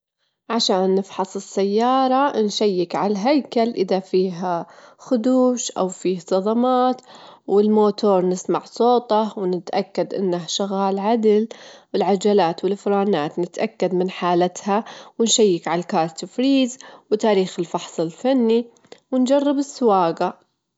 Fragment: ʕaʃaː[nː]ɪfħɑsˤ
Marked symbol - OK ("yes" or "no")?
yes